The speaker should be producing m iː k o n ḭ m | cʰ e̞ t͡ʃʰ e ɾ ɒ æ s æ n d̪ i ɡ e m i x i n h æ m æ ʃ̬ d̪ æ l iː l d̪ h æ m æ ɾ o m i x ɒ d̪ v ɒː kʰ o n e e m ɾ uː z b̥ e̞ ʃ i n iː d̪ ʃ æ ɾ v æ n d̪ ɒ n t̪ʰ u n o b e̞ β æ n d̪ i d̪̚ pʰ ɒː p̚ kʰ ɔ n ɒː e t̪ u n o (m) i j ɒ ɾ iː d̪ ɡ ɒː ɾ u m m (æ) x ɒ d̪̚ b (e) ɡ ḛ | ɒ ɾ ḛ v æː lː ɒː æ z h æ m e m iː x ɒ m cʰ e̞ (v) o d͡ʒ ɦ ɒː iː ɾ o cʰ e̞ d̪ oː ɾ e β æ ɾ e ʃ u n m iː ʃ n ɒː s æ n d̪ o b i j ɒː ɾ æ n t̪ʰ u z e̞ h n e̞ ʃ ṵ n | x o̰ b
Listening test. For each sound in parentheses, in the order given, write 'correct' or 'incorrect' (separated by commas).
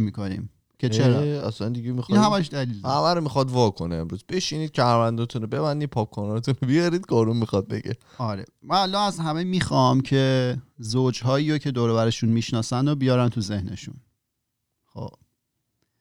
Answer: incorrect, incorrect, correct, incorrect